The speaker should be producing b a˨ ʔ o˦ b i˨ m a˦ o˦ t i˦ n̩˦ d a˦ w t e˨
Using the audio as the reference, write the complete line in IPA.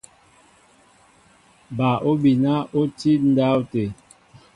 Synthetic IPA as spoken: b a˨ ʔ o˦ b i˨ n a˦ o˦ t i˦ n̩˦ d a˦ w t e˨

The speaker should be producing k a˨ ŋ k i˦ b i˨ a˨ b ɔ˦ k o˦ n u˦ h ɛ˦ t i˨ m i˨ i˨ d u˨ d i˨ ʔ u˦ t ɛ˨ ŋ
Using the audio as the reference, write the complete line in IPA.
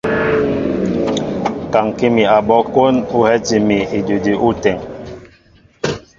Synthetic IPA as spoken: k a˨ ŋ k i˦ m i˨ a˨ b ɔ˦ k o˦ n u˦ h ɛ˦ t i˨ m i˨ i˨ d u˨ d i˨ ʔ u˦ t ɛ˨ ŋ

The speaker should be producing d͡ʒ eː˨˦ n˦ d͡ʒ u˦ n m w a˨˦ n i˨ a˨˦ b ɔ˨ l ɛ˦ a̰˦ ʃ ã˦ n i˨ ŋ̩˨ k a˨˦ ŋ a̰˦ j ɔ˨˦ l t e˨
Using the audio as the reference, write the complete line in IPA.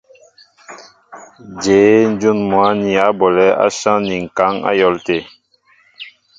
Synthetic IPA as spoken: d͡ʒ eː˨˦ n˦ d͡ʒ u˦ n m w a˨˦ n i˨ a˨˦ b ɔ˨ l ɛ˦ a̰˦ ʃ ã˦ n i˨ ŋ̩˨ k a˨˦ ŋ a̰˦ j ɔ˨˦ l t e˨

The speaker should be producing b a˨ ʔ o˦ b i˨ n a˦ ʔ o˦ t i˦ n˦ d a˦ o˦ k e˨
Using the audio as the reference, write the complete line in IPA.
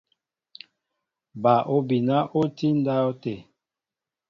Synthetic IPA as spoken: b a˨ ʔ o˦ b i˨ n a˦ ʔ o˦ t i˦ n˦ d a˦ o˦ t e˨

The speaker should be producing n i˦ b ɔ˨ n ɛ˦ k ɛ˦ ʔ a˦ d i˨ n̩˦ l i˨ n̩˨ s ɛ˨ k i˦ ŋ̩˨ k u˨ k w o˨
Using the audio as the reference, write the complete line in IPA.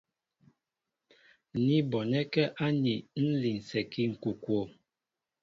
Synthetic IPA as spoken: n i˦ b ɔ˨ n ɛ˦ k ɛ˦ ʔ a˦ n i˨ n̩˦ l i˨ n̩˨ s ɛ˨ k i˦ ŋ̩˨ k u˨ k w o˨

